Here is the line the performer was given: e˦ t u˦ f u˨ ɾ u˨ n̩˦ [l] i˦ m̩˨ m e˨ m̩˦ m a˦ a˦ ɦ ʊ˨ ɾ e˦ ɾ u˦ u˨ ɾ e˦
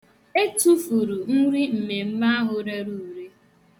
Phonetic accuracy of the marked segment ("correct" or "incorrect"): incorrect